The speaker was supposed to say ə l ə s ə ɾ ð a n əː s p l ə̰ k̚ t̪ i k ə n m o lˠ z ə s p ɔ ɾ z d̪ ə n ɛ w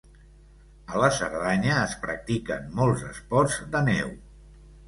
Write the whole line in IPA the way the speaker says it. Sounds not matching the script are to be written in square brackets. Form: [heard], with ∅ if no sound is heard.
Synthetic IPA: ə l ə s ə ɾ ð a [ɲ] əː s p [ɾ] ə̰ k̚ t̪ i k ə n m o lˠ z ə s p ɔ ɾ z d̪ ə n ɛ w